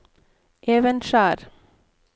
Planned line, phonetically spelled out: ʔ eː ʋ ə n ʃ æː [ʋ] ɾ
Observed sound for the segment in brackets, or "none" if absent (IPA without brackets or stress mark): none